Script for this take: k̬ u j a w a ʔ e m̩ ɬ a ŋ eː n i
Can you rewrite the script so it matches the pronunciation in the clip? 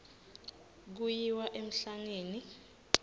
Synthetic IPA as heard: k̬ u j i w a ʔ e m̩ ɬ a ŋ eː n i